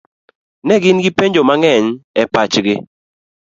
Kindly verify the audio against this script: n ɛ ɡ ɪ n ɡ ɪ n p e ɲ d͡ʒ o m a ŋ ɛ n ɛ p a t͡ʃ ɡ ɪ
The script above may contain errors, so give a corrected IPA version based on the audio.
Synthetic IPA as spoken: n ɛ ɡ ɪ n ɡ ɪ p e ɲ d͡ʒ o m a ŋ ɛ ɲ ɛ p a t͡ʃ ɡ ɪ